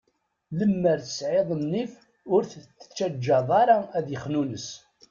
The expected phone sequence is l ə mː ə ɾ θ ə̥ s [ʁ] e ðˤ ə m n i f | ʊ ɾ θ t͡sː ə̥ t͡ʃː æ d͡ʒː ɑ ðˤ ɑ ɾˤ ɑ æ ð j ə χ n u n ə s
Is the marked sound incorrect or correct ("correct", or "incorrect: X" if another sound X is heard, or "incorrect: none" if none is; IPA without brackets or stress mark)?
incorrect: ʕ